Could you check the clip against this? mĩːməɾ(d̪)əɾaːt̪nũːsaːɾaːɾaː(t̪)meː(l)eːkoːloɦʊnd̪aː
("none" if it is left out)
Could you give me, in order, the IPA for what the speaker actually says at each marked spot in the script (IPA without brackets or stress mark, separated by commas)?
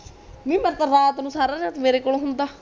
t̪, t̪, ɾ